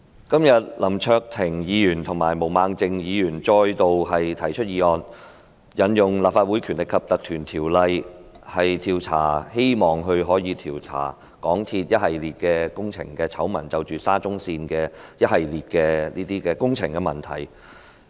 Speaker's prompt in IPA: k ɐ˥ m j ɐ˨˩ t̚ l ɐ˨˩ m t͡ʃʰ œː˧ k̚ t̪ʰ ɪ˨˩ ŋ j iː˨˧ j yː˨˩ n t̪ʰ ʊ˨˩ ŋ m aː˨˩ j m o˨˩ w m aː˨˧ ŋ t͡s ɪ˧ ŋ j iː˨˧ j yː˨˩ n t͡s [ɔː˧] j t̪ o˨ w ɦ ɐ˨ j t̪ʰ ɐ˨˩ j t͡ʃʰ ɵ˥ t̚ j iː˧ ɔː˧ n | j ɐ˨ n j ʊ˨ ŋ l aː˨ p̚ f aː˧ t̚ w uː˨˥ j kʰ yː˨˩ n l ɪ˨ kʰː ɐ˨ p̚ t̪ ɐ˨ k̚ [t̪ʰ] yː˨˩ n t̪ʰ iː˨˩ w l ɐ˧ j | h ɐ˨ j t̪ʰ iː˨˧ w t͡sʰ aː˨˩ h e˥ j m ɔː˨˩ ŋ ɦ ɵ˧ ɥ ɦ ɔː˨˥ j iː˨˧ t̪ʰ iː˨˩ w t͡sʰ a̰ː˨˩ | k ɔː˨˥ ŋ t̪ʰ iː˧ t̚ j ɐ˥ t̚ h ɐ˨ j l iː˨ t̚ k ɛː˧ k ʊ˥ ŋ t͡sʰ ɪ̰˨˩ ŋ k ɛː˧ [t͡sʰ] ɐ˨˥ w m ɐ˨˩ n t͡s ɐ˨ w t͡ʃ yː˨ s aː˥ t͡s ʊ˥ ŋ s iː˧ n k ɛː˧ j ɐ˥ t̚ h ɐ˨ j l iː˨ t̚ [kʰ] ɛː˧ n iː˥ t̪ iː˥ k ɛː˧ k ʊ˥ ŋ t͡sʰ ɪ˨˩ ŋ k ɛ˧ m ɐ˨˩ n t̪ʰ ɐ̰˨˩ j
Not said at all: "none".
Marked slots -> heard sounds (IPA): ɔː˧, t̪ʰ, t͡sʰ, k

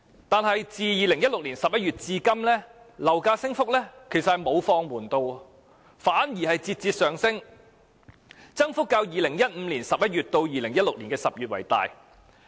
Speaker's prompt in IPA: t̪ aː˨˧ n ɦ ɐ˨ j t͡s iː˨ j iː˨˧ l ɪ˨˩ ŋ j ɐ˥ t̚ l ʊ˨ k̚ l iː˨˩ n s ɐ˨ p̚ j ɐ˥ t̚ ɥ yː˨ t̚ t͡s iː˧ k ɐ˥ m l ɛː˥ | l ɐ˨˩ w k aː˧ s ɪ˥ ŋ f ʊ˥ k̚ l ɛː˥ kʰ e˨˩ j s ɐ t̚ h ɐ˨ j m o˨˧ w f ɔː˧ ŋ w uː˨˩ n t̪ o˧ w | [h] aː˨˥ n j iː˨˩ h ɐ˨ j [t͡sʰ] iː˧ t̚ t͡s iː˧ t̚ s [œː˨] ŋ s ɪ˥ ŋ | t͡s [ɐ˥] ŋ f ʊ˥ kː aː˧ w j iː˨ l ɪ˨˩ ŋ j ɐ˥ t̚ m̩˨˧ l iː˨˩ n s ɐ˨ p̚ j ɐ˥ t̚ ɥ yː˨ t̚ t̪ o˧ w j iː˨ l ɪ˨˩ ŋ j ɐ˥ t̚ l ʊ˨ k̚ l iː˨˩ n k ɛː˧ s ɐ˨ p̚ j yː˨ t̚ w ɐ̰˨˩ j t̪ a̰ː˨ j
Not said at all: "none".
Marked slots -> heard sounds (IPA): f, t͡s, œː˨, ɐ˥

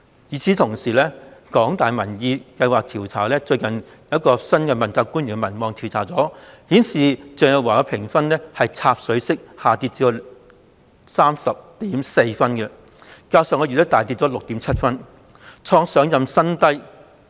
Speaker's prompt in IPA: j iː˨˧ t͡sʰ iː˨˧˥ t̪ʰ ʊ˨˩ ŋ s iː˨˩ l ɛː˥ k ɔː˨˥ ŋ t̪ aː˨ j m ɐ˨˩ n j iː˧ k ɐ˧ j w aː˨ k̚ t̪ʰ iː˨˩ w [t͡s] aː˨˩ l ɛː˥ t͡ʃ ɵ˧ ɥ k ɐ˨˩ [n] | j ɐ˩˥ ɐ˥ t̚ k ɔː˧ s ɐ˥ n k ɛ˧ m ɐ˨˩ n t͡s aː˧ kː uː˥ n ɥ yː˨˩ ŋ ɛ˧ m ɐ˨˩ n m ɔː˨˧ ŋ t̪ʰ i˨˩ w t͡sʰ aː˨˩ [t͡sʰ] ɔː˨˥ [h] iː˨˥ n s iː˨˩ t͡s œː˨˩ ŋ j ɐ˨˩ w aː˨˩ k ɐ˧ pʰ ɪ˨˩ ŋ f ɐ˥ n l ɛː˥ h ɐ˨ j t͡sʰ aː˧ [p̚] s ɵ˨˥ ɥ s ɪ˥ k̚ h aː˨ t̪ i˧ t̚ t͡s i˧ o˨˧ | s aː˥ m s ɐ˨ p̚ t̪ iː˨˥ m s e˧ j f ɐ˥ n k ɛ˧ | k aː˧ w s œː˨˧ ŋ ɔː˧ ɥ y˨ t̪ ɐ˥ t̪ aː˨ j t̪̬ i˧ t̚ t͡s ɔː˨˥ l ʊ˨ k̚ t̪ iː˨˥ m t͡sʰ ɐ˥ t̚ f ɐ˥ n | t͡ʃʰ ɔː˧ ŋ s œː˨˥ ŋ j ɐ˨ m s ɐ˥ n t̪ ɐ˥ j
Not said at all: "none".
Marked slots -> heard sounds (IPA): t͡sʰ, n, t͡s, h, p̚

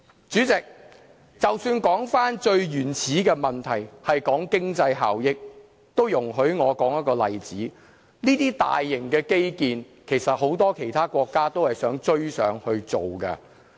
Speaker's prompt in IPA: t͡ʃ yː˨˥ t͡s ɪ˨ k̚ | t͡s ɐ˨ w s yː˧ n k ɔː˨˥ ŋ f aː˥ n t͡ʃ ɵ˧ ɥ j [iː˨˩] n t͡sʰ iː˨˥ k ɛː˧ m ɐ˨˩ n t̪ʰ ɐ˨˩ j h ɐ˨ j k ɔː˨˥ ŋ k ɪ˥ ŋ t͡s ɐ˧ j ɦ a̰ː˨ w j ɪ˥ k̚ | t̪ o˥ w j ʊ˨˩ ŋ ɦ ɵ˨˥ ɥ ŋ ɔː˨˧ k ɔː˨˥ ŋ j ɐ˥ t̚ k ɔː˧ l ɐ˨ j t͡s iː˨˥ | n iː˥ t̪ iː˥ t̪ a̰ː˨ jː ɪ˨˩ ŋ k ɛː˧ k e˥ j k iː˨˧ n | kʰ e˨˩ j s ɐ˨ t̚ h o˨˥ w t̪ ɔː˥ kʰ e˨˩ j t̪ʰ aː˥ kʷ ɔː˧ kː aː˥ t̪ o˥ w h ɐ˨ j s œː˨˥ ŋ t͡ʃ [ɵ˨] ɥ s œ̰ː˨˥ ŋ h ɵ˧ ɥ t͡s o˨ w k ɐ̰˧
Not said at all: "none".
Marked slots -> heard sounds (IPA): yː˨˩, ɵ˥

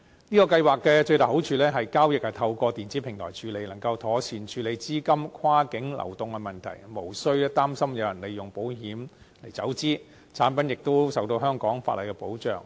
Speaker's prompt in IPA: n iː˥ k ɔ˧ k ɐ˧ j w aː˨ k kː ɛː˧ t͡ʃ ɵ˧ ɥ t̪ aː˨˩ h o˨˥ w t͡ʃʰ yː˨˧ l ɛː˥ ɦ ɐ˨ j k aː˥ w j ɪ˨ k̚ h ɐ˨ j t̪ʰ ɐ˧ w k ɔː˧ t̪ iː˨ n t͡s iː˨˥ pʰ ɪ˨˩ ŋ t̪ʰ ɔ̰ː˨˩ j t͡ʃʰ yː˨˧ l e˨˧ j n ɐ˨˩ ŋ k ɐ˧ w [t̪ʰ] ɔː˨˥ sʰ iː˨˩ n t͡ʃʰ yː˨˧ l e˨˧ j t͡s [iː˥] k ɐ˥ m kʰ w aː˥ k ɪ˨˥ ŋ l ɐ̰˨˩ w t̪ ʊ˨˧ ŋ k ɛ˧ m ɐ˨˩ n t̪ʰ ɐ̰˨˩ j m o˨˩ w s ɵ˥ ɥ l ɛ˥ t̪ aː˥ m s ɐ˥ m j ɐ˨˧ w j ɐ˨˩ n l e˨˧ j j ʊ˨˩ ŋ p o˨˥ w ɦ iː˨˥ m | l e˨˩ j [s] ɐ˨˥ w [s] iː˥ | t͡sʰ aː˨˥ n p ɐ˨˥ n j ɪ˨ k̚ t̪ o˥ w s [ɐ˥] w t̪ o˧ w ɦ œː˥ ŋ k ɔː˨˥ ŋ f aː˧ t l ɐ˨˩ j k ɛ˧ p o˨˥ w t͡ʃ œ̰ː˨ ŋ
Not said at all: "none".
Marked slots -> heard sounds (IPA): t̪ʰ, iː˥, t͡s, t͡s, ɐ˨

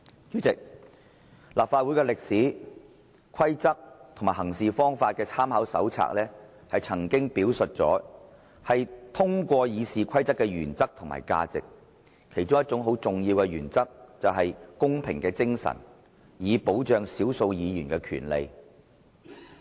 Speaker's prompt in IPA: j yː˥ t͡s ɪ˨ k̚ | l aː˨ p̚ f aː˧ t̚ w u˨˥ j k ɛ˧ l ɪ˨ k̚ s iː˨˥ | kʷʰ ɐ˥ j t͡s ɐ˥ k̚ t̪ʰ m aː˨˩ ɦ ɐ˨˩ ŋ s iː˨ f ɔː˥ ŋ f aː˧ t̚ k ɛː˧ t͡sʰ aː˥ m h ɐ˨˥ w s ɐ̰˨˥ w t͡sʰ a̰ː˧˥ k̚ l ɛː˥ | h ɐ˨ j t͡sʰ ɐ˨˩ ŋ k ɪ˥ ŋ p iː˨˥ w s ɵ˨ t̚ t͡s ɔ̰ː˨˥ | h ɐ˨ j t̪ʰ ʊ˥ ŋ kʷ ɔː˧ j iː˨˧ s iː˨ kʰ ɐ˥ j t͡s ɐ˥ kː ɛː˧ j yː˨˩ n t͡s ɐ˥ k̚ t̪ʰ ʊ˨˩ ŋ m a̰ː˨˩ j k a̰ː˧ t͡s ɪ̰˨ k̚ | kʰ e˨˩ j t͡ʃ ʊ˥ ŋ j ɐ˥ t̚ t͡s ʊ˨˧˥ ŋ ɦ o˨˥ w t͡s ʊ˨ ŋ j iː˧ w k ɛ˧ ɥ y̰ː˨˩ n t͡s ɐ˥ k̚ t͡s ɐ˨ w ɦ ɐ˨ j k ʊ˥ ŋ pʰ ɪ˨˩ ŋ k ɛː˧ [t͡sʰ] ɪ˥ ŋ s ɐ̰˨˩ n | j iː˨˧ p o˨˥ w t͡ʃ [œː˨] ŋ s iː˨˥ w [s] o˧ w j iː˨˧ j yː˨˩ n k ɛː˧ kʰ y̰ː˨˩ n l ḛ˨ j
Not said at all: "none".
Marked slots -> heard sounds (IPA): t͡s, œː˨, s

